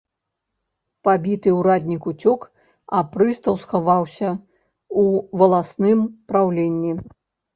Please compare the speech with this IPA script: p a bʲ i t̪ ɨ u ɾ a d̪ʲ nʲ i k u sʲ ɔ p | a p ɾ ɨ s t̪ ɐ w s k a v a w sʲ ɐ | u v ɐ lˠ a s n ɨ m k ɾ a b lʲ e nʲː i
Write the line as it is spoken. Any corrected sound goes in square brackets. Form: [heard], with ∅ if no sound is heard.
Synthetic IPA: p a bʲ i t̪ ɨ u ɾ a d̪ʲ nʲ i k u [t͡sʲ] ɔ [k] | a p ɾ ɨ s t̪ ɐ w s [x] a v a w sʲ ɐ | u v ɐ lˠ a s n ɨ m [p] ɾ a [w] lʲ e nʲː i